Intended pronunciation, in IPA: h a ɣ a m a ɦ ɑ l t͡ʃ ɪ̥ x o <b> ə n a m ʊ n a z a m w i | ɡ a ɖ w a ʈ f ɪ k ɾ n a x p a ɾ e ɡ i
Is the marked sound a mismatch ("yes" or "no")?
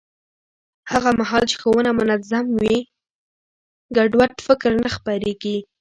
yes